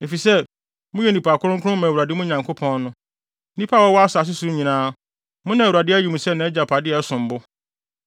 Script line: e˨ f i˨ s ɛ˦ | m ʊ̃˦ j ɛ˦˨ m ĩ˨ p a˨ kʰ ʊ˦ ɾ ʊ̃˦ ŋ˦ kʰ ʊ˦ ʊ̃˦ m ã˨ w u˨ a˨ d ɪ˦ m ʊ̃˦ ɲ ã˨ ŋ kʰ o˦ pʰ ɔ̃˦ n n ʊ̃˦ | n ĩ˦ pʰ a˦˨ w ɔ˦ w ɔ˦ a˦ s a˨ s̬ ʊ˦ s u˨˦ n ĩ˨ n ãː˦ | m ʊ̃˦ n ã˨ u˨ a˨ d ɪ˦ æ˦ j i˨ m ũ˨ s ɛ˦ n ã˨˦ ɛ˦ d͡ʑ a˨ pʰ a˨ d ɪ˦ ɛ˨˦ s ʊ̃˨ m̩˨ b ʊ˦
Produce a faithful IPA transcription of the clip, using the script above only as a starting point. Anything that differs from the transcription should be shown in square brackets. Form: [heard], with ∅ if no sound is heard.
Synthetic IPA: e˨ f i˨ s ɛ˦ | m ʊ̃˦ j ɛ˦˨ [n] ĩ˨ p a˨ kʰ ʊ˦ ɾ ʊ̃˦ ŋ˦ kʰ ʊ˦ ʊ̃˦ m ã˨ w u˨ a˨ d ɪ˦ m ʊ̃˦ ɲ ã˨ ŋ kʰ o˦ pʰ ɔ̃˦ n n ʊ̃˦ | n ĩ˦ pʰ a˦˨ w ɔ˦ w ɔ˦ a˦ s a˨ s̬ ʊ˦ s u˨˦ [ɲ] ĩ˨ n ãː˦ | m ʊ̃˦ n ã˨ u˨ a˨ d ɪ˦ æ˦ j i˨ m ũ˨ s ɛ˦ n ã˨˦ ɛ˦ d͡ʑ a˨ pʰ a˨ d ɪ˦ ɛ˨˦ s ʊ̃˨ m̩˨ b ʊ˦